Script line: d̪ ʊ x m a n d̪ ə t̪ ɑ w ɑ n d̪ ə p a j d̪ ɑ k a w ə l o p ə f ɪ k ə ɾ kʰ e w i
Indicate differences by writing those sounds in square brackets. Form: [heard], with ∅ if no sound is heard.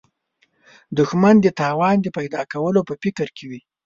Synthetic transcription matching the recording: d̪ ʊ x m a n d̪ ə t̪ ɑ w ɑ n d̪ ə p a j d̪ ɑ k a w ə l o p ə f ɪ k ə ɾ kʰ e w i